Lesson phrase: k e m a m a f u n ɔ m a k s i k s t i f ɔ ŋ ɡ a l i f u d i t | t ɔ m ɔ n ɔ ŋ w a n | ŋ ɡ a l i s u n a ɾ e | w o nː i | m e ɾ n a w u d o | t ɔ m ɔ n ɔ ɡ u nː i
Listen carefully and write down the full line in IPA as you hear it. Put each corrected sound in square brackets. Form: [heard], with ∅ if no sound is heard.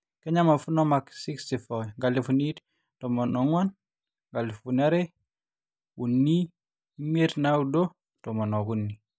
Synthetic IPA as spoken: k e [ɲ] a m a f u n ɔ m a k s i k s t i f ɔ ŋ ɡ a l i f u [n] i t | t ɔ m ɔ n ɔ ŋ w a n | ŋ ɡ a l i [f] u n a ɾ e | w [u] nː i | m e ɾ n a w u d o | t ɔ m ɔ n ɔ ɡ u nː i